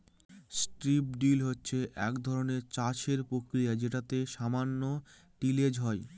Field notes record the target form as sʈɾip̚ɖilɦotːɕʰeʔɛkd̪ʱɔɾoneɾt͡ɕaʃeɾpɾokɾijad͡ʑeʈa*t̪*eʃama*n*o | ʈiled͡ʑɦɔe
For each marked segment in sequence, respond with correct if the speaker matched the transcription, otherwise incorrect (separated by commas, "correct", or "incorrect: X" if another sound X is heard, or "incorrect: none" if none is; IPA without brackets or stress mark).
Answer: correct, incorrect: nː